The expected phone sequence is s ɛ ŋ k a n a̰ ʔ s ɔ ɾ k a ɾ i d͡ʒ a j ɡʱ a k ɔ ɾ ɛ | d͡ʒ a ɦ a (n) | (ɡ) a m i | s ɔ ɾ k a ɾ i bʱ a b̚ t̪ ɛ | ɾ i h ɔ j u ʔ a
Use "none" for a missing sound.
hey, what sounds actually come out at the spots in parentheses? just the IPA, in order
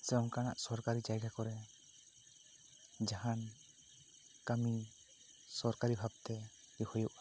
n, k

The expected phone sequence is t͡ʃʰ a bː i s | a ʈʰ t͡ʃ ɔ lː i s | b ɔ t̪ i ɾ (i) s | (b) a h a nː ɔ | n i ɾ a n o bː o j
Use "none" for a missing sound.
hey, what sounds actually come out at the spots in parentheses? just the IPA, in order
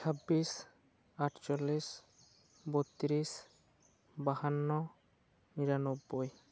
i, b

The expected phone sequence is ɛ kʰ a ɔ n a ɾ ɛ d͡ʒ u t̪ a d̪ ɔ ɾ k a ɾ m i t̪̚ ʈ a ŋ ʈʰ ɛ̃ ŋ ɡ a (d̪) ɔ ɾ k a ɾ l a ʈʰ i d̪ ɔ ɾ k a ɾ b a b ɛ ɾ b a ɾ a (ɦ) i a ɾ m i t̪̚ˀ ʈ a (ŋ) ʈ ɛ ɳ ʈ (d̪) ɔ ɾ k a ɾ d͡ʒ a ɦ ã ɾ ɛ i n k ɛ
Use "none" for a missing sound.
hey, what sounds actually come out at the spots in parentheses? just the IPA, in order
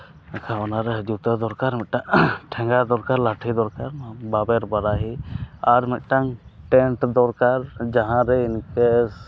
d̪, ɦ, ŋ, d̪

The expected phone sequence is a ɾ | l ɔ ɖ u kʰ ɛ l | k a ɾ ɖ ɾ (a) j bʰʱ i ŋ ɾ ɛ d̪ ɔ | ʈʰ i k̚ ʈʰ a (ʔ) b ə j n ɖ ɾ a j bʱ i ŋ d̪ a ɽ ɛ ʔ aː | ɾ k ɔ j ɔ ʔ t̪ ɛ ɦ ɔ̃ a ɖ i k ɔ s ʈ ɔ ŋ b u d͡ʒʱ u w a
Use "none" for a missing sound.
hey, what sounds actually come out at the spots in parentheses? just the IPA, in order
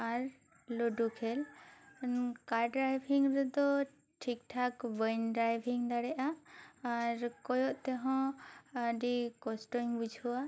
a, k

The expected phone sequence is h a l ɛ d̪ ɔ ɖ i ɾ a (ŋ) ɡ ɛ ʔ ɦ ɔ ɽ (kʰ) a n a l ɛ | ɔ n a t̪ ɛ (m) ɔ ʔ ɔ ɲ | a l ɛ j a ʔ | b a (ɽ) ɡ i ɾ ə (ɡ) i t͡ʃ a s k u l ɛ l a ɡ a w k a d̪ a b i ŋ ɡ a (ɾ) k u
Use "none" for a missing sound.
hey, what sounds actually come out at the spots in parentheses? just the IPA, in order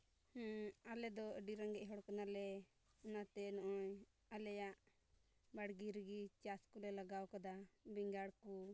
ŋ, k, n, ɽ, ɡ, ɽ

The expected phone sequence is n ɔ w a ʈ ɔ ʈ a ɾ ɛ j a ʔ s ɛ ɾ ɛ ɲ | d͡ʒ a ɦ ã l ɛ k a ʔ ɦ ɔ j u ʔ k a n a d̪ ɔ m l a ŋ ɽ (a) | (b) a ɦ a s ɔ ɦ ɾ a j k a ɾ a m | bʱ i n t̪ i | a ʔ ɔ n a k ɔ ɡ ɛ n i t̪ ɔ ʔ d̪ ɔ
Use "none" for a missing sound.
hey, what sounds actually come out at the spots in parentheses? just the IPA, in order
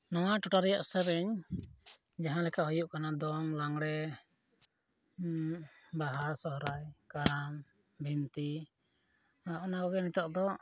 ɛ, b

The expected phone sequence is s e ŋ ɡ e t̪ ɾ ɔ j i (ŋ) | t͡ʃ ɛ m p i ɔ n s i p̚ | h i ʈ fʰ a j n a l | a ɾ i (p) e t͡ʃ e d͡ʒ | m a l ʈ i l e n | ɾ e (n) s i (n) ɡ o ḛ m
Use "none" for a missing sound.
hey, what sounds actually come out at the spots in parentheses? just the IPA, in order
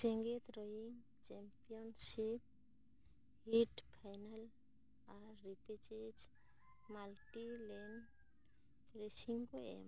ŋ, p, none, ŋ

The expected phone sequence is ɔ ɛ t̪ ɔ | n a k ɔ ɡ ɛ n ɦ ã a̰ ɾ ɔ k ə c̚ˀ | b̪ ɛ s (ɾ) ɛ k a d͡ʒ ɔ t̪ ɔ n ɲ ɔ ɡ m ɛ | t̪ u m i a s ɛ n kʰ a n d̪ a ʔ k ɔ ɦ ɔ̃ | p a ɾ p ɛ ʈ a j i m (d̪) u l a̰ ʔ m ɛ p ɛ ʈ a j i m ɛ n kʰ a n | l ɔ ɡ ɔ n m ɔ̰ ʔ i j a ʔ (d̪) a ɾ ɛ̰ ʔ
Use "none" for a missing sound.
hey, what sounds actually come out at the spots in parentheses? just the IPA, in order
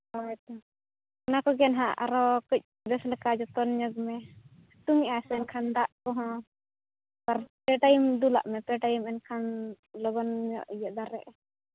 l, d̪, d̪

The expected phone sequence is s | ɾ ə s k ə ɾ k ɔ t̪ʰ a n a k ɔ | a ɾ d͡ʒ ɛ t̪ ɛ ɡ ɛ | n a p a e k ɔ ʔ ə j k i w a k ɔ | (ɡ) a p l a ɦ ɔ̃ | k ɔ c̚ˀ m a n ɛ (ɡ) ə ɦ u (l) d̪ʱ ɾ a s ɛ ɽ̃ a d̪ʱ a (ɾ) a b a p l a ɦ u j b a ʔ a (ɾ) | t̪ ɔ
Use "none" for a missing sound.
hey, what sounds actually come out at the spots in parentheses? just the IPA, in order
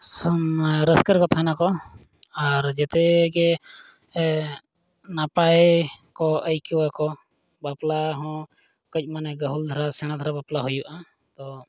b, ɡ, l, ɾ, none

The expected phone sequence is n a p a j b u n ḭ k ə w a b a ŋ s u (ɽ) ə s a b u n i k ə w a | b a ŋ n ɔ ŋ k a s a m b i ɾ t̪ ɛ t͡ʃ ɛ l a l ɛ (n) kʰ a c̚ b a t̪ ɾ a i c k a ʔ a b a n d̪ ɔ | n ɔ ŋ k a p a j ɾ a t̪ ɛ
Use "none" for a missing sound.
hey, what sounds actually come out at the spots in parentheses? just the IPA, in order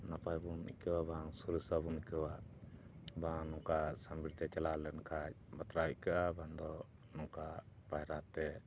ɾ, n

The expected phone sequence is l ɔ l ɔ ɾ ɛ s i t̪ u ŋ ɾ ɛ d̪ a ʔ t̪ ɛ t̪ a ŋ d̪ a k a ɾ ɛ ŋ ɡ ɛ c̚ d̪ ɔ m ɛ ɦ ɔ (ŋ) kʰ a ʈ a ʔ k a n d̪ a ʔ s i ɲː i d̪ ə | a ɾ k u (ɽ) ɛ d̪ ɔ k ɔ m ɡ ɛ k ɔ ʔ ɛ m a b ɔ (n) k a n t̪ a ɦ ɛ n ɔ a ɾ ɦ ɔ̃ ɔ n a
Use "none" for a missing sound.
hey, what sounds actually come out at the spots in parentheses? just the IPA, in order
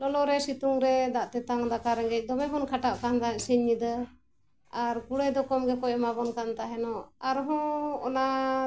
n, ɽ, n

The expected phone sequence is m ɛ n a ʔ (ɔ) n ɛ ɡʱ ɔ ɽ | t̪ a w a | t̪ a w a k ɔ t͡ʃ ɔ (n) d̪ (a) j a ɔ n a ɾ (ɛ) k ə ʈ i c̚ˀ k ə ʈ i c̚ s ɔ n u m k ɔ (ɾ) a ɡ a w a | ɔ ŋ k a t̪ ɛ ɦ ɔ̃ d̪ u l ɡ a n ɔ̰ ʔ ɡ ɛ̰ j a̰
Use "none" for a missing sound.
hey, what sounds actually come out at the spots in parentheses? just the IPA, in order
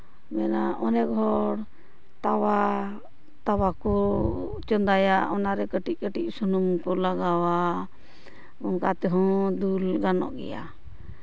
ɔ, n, a, ɛ, l

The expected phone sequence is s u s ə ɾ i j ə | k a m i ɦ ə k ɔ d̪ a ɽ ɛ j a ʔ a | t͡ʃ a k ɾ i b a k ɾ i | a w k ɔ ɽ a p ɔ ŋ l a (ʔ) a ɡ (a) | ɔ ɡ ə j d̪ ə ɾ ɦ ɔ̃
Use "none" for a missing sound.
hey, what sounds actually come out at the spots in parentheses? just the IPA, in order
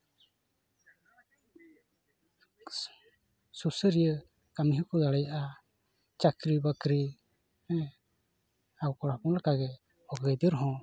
k, ɛ

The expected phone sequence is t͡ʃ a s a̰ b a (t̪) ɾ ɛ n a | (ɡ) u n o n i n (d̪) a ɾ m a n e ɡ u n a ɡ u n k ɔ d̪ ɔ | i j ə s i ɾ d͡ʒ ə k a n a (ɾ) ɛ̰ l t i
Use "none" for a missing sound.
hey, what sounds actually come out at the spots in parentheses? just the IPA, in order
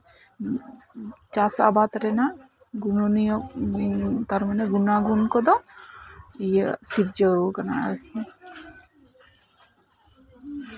t̪, ɡ, t̪, none

